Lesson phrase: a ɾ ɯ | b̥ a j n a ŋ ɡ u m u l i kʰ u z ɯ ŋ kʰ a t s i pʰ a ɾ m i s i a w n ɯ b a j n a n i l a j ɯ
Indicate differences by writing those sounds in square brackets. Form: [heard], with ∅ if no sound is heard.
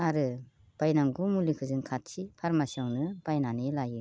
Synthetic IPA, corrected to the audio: a ɾ ɯ | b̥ a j n a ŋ ɡ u m u l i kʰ [ɯ] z ɯ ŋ kʰ a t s i pʰ a ɾ m [a] s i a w n ɯ b a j n a n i l a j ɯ

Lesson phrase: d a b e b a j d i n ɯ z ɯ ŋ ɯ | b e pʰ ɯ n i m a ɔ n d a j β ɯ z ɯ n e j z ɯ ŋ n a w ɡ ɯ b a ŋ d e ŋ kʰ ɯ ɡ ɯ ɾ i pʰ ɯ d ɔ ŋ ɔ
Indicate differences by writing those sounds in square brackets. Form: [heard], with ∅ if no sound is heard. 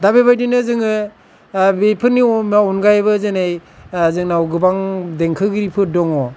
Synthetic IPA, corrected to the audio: d a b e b a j d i n ɯ z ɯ ŋ ɯ | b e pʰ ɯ n i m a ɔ n [ɡ] a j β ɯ z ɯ n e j z ɯ ŋ n a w ɡ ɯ b a ŋ d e ŋ kʰ ɯ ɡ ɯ ɾ i pʰ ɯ d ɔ ŋ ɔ

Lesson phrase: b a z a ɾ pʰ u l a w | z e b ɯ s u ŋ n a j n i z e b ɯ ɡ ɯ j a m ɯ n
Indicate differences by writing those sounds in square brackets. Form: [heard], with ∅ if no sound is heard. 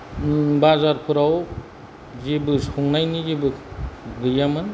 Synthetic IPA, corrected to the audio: b a z a ɾ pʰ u [ɾ] a w | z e b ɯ s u ŋ n a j n i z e b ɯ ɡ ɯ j a m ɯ n

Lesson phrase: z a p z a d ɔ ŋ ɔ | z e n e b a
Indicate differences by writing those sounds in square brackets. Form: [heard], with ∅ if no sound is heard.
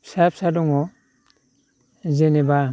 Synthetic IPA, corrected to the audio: [s] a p [s] a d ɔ ŋ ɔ | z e n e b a

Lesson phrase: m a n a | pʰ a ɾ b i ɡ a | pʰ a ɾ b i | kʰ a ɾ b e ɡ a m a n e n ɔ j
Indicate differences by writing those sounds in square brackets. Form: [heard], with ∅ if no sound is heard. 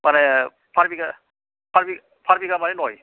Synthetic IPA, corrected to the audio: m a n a | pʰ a ɾ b i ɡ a | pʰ a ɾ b i | [pʰ] a ɾ b [i] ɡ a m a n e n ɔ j

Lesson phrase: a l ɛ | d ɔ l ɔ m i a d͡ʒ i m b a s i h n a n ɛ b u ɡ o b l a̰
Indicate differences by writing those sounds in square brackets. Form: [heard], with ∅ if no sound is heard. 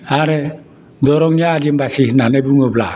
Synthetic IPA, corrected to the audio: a [ɾ] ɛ | d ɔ [ɾ] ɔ [ŋ] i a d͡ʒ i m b a s i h n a n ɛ b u [ŋ] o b l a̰

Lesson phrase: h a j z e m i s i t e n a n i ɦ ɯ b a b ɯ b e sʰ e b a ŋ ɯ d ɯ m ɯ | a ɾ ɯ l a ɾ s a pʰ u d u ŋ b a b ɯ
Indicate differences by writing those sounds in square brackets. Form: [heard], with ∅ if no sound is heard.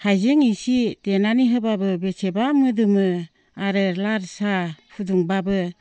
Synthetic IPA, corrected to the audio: h a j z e [ŋ] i s i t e n a n i ɦ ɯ b a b ɯ b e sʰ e b a [m] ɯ d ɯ m ɯ | a ɾ ɯ l a ɾ s a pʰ u d u ŋ b a b ɯ

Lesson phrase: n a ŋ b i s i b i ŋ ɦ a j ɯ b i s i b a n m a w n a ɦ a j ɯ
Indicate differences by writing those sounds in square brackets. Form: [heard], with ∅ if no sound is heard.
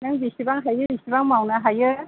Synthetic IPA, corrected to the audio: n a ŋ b i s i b [a] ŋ ɦ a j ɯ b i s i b a [ŋ] m a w n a ɦ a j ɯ

